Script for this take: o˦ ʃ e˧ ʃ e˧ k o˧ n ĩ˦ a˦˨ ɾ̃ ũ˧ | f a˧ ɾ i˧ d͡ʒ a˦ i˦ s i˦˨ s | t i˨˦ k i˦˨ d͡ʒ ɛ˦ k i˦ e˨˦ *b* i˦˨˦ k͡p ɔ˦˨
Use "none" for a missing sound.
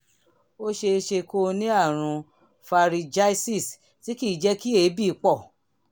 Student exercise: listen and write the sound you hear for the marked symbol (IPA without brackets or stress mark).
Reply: b